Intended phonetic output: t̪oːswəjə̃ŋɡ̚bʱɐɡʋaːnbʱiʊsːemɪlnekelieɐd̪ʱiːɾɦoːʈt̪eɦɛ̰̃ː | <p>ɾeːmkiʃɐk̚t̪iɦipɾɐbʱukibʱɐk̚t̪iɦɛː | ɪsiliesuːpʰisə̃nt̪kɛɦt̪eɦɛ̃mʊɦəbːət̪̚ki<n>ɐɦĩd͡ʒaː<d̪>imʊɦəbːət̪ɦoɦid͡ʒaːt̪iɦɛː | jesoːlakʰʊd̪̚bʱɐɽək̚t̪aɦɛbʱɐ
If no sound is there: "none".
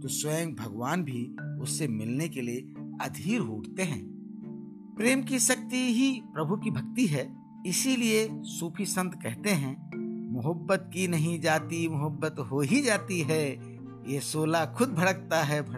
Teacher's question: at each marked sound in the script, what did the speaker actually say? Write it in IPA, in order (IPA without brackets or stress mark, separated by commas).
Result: p, n, t̪